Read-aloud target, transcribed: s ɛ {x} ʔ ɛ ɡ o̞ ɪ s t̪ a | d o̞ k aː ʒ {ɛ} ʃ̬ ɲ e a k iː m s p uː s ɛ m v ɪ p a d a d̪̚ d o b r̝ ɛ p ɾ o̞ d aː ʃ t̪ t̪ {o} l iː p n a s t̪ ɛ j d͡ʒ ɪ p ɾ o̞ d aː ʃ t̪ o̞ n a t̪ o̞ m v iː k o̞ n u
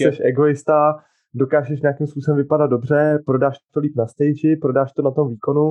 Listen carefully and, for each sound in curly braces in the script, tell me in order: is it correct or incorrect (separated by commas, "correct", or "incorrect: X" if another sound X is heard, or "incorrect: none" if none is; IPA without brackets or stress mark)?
incorrect: ʃ, correct, correct